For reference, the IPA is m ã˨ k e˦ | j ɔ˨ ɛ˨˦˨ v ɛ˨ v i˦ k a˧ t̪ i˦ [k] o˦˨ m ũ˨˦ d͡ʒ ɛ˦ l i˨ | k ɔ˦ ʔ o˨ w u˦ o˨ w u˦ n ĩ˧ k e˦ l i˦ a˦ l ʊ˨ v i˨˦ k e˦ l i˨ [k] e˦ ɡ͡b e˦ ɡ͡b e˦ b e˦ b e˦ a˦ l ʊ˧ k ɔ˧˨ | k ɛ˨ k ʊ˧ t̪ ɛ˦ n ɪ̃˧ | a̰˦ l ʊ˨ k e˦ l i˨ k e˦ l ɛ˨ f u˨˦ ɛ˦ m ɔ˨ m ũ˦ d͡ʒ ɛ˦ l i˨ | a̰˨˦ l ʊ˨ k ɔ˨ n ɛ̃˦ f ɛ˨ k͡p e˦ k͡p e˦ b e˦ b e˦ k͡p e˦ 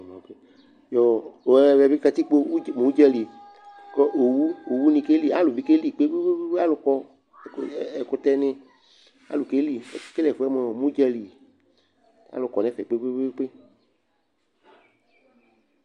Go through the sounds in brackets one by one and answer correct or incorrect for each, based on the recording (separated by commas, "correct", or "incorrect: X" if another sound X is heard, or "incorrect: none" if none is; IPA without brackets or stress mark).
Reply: incorrect: k͡p, incorrect: k͡p